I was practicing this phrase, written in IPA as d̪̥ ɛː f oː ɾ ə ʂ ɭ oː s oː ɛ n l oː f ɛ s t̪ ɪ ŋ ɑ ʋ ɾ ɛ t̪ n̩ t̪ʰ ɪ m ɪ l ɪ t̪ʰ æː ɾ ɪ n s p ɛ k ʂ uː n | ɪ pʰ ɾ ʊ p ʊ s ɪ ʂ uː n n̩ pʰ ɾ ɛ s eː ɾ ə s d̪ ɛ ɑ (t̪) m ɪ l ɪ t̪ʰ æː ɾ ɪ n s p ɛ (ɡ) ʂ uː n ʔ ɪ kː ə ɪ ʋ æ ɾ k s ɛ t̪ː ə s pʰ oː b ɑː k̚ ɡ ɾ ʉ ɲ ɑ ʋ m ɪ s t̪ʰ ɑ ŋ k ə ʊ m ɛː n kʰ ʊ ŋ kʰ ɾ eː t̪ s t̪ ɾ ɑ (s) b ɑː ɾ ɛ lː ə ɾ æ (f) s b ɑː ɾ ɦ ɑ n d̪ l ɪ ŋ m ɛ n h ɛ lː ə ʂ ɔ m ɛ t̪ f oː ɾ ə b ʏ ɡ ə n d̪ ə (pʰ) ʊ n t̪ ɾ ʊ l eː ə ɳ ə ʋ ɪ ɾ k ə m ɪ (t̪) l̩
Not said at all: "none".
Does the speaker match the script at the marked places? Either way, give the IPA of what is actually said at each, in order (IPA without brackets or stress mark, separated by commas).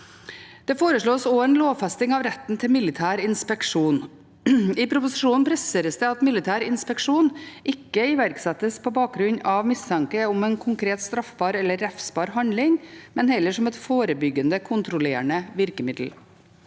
t̪, k, f, f, kʰ, d̪